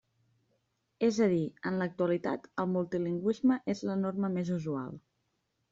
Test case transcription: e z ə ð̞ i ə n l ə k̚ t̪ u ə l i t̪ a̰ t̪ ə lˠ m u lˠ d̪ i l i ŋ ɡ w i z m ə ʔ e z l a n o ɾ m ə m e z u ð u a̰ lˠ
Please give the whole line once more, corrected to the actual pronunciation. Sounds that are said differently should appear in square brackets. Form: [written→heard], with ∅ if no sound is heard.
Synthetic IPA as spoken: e z ə ð̞ i ə n l ə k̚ t̪ u ə l i t̪ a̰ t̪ ə lˠ m u lˠ [d̪→t̪] i l i ŋ ɡ w i z m ə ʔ e z l [a→ə] n o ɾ m ə m e z u [ð→z] u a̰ lˠ

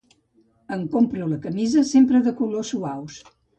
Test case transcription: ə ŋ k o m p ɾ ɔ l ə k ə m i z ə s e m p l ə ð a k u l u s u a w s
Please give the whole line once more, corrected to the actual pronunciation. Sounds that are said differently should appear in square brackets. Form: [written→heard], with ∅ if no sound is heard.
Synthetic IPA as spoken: ə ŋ k o m p ɾ [ɔ→u] l ə k ə m i z ə s e m p [l→ɾ] ə ð [a→ə] k u l [u→o] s u a w s

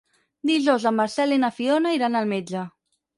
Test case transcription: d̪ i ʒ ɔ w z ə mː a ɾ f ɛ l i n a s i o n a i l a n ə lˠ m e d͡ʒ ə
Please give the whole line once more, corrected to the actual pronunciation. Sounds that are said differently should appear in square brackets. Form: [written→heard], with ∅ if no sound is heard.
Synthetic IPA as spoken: d̪ i ʒ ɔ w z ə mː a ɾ [f→s] ɛ l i n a [s→f] i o n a i [l→ɾ] a n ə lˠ m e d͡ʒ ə

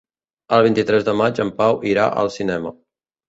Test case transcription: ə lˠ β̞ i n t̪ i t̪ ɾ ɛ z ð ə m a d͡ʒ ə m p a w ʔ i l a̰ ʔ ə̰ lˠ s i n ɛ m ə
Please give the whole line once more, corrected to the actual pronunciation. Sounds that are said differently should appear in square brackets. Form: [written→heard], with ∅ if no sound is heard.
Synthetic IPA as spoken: ə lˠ β̞ i n t̪ i t̪ ɾ ɛ z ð ə m a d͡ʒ ə m p a w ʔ i [l→ɾ] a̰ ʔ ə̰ lˠ s i n ɛ m ə

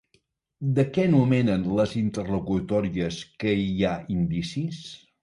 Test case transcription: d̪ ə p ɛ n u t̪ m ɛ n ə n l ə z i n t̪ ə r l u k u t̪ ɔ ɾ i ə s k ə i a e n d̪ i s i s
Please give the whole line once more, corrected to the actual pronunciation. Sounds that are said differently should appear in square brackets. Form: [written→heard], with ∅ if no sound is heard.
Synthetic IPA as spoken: d̪ ə [p→k] ɛ n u [t̪→∅] m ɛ n ə n l ə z i n t̪ ə r l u k u t̪ ɔ ɾ i ə s k ə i a [e→i] n d̪ i s i s

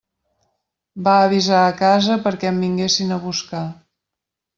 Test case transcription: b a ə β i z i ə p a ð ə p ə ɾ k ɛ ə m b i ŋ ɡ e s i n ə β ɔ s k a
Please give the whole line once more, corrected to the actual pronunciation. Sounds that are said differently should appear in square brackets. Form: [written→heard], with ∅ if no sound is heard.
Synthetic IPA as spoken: b a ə β i z [i→a] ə [p→k] a [ð→z] ə p ə ɾ k ɛ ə m b i ŋ ɡ e s i n ə β [ɔ→u] s k a

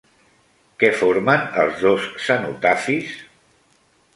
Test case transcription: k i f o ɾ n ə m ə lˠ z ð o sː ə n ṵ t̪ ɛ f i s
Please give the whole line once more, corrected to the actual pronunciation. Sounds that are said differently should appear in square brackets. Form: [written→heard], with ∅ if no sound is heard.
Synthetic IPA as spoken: k [i→ɛ] f o ɾ [n→m] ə [m→n] ə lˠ z ð o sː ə n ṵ t̪ [ɛ→a] f i s

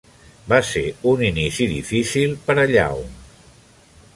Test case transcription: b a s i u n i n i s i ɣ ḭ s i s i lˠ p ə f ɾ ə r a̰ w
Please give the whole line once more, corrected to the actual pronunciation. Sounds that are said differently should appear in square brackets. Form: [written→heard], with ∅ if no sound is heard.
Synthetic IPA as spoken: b a s [i→e] u n i n i s i [ɣ→ð] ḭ [s→f] i s i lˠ p ə [f→∅] ɾ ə [r→ʎ] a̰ w

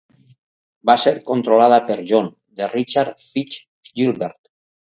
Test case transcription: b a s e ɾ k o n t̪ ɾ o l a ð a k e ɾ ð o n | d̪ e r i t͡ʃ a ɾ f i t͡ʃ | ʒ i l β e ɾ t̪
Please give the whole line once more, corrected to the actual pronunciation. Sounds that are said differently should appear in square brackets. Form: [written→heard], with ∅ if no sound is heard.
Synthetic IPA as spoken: b a s e ɾ k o n t̪ ɾ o l a ð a [k→p] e ɾ [ð→ʒ] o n | d̪ e r i t͡ʃ a ɾ f i t͡ʃ | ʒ i l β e ɾ t̪

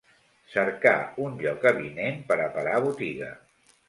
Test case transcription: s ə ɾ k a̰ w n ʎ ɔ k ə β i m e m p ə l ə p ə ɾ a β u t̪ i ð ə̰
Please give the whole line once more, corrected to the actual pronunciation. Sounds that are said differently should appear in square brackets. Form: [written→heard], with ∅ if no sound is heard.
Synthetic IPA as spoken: s ə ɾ k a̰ [w→u] n ʎ ɔ k ə β i [m→n] e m p ə [l→ɾ] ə p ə ɾ a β u t̪ i [ð→ɣ] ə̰

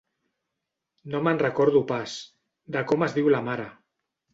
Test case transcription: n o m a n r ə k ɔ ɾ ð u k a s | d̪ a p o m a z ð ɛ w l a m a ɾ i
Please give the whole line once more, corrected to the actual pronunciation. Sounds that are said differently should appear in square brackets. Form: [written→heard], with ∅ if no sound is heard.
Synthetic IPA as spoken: n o m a n r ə k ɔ ɾ ð u [k→p] a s | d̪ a [p→k] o m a z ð [ɛ→i] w l a m a ɾ [i→a]

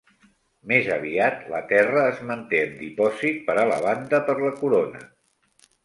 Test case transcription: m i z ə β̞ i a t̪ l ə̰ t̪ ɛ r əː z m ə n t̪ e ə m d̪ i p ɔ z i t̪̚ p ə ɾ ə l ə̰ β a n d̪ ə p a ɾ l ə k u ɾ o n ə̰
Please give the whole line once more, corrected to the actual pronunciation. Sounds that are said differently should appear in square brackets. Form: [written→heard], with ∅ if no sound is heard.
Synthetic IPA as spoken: m [i→e] z ə β̞ i a t̪ l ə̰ t̪ ɛ r əː z m ə n t̪ e ə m d̪ i p ɔ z i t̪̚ p ə ɾ ə l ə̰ β a n d̪ ə p [a→ə] ɾ l ə k u ɾ o n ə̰

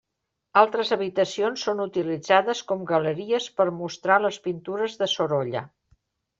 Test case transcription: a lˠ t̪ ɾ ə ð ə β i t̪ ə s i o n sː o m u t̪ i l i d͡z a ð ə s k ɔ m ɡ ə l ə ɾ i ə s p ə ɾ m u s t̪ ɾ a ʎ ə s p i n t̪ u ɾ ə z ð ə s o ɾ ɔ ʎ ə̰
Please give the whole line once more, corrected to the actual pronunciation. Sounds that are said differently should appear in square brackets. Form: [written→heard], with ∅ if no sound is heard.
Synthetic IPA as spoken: a lˠ t̪ ɾ ə [ð→z] ə β i t̪ ə s i o n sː o [m→n] u t̪ i l i d͡z a ð ə s k ɔ m ɡ ə l ə ɾ i ə s p ə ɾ m u s t̪ ɾ a [ʎ→l] ə s p i n t̪ u ɾ ə z ð ə s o ɾ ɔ ʎ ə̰

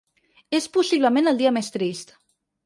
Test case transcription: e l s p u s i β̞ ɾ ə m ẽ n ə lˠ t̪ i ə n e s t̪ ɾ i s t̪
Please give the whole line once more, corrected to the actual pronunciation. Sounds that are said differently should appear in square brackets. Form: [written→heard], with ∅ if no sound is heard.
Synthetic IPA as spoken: e [l→∅] s p u s i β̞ [ɾ→l] ə m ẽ n ə lˠ [t̪→d̪] i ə [n→m] e s t̪ ɾ i s t̪

